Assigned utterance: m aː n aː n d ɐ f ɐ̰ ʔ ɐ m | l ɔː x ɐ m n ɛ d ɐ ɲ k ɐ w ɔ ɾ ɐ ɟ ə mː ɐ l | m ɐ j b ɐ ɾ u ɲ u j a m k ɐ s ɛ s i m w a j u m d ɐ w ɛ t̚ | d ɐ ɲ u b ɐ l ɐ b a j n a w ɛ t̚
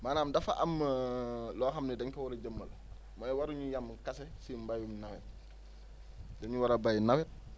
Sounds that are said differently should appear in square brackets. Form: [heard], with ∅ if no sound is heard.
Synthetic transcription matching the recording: m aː n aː [m] d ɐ f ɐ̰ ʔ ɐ m | l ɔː x ɐ m n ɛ d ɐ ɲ k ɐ w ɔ ɾ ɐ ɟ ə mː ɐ l | m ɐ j [w] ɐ ɾ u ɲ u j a m k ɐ s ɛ s i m [b] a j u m [n] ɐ w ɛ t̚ | d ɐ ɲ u [w] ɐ [ɾ] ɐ b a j n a w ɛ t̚